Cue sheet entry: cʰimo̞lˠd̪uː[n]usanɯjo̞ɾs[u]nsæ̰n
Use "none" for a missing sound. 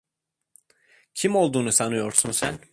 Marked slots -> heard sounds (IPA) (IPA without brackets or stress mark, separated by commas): n, u